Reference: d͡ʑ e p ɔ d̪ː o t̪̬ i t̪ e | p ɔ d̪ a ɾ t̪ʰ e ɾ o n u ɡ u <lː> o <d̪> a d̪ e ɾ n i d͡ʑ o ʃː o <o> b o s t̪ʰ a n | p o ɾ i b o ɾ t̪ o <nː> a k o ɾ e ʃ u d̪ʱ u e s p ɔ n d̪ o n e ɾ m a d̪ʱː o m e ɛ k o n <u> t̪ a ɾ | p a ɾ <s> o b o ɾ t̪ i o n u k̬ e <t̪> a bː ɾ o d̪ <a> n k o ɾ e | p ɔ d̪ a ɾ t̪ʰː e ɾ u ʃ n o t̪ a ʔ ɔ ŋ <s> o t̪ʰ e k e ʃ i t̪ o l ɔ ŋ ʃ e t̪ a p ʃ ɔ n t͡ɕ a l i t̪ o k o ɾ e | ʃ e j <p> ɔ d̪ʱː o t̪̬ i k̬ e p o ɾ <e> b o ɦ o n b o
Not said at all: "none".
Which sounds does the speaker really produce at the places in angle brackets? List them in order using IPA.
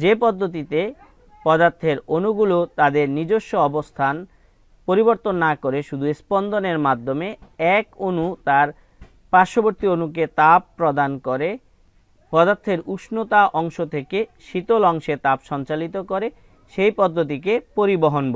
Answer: l, t̪, ɔ, nː, u, ʃ, t̪, a, ʃ, p, i

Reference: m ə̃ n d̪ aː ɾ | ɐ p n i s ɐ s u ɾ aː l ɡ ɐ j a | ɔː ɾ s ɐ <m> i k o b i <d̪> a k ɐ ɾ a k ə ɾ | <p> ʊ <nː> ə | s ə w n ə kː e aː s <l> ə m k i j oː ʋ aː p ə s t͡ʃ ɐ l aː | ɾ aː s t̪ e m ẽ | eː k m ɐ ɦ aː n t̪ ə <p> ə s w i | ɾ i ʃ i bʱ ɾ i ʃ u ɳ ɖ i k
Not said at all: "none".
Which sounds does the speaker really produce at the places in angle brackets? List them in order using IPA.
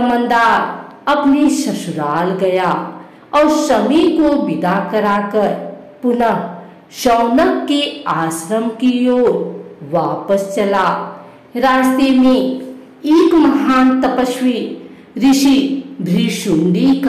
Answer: m, d̪, p, n, ɾ, p

